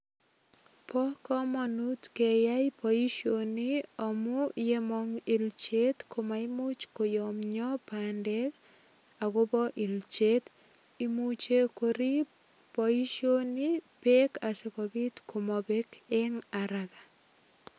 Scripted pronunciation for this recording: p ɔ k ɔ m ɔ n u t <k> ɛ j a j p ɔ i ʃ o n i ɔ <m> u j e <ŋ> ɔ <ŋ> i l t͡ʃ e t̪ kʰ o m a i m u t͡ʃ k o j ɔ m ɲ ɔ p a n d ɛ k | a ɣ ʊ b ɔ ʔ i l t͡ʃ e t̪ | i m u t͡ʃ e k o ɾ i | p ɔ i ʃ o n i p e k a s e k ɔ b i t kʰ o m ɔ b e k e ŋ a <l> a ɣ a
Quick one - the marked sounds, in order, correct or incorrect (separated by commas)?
correct, correct, incorrect, correct, incorrect